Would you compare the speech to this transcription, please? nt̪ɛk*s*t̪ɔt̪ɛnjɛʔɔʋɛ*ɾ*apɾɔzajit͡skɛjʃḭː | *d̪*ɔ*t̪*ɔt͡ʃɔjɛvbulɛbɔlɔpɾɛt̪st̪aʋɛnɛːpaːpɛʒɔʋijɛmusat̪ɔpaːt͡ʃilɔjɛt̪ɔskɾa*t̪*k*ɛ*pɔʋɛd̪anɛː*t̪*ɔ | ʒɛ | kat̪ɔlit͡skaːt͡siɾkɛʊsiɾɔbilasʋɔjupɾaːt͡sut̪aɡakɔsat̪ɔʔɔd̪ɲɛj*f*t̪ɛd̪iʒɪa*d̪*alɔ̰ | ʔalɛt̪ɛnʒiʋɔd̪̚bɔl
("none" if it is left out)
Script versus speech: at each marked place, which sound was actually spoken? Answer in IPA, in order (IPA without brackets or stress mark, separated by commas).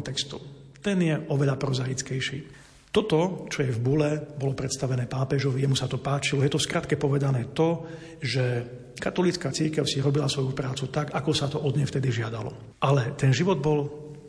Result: s, ʎ, t̪, t̪, t̪, ɛ, t̪, f, d̪